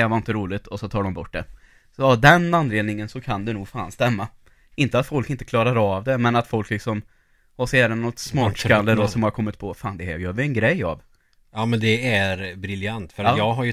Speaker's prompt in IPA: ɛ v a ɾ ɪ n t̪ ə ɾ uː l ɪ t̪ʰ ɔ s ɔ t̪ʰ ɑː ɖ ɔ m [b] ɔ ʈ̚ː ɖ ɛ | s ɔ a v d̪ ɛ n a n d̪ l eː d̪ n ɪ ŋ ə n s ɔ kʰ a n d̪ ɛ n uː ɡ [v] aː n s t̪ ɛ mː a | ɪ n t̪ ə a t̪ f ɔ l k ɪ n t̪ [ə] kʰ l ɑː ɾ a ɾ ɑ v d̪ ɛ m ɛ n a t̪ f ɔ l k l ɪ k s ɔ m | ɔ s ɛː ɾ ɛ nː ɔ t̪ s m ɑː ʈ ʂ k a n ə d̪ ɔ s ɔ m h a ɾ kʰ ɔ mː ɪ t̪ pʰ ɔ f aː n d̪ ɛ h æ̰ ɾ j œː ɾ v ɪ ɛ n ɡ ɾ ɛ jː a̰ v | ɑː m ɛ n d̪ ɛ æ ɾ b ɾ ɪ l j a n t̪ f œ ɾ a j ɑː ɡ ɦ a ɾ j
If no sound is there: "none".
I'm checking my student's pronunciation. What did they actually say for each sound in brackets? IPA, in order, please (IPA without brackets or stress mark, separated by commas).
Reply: b, f, ə